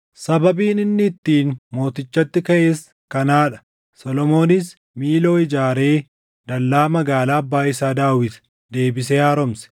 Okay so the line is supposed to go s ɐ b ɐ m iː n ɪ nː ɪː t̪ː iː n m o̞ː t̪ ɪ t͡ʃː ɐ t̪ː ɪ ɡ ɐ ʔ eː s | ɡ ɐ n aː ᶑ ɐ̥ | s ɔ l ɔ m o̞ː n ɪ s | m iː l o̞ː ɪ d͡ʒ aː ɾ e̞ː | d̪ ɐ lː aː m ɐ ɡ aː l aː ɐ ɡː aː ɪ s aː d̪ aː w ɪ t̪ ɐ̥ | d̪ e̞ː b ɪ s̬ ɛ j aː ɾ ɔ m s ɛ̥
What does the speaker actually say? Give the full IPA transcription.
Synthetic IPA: s ɐ b ɐ b iː n ɪ nː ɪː t̪ː iː n m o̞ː t̪ ɪ t͡ʃː ɐ t̪ː ɪ k ɐ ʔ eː s | k ɐ n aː ᶑ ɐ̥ | s ɔ l ɔ m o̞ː n ɪ s | m iː l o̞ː ɪ d͡ʒ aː ɾ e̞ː | d̪ ɐ lː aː m ɐ ɡ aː l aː ɐ bː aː ɪ s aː d̪ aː w ɪ t̪ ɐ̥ | d̪ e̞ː b ɪ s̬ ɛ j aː ɾ ɔ m s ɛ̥

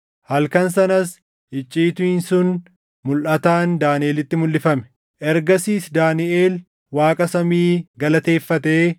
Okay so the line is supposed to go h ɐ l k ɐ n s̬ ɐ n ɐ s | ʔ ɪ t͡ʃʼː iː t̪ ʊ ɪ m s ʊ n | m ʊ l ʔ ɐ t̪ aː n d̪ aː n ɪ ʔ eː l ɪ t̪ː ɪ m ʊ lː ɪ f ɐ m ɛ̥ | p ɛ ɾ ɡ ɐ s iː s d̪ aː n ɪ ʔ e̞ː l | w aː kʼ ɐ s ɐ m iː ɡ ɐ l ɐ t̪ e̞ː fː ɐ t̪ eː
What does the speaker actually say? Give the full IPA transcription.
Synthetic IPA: h ɐ l k ɐ n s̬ ɐ n ɐ s | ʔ ɪ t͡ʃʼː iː t̪ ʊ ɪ n s ʊ n | m ʊ l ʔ ɐ t̪ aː n d̪ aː n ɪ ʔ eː l ɪ t̪ː ɪ m ʊ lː ɪ f ɐ m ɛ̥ | ʔ ɛ ɾ ɡ ɐ s iː s d̪ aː n ɪ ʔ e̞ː l | w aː kʼ ɐ s ɐ m iː ɡ ɐ l ɐ t̪ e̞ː fː ɐ t̪ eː

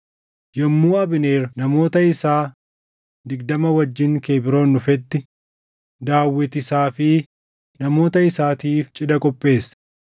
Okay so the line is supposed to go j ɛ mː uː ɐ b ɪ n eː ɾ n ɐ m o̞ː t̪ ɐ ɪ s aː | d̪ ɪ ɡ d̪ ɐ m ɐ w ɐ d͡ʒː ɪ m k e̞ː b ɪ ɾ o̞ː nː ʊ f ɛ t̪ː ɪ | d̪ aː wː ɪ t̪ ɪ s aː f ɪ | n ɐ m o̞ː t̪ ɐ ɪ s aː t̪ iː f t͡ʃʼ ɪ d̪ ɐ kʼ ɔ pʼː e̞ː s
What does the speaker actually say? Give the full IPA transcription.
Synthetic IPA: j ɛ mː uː ɐ b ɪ n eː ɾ n ɐ m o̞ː t̪ ɐ ɪ s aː | d̪ ɪ ɡ d̪ ɐ m ɐ w ɐ d͡ʒː ɪ ŋ k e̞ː b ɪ ɾ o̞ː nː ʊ f ɛ t̪ː ɪ | d̪ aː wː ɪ t̪ ɪ s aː f ɪ | n ɐ m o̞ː t̪ ɐ ɪ s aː t̪ iː f t͡ʃʼ ɪ d̪ ɐ kʼ ɔ pʼː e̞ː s

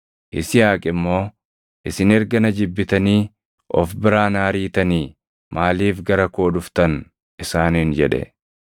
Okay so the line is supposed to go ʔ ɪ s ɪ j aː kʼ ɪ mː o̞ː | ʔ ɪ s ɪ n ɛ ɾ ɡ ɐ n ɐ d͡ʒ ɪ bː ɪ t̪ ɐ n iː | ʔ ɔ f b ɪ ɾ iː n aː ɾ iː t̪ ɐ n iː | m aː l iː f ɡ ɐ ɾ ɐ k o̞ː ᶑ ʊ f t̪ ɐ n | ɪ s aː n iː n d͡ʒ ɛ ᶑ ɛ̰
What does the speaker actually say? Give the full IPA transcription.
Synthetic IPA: ʔ ɪ s ɪ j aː kʼ ɪ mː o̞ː | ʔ ɪ s ɪ n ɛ ɾ ɡ ɐ n ɐ d͡ʒ ɪ bː ɪ t̪ ɐ n iː | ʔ ɔ f b ɪ ɾ aː n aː ɾ iː t̪ ɐ n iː | m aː l iː f ɡ ɐ ɾ ɐ k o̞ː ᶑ ʊ f t̪ ɐ n | ɪ s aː n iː n d͡ʒ ɛ ᶑ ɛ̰

